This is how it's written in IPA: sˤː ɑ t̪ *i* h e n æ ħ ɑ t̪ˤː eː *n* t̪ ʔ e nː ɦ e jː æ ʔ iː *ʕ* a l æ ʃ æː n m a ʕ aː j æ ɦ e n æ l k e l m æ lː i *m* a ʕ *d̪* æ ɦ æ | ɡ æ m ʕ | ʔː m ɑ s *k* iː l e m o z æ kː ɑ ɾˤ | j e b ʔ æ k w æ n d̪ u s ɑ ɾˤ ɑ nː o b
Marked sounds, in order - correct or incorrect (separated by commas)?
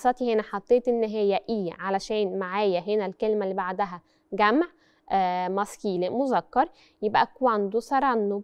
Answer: correct, incorrect, correct, incorrect, correct, correct